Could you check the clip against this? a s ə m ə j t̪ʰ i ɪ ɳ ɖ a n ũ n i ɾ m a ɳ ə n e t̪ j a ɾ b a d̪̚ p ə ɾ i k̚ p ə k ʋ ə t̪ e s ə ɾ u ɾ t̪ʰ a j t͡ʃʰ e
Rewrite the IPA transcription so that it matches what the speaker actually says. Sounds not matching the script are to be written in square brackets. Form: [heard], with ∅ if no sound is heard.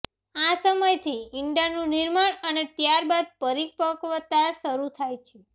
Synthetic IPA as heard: a s ə m ə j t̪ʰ i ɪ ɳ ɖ a n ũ n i ɾ m a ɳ ə n e t̪ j a ɾ b a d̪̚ p ə ɾ i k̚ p ə k ʋ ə t̪ [a] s ə ɾ u [∅] t̪ʰ a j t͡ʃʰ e